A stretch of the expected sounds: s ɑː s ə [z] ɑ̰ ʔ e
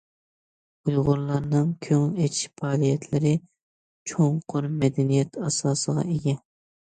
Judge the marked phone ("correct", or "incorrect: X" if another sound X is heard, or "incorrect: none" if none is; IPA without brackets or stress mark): incorrect: ʁ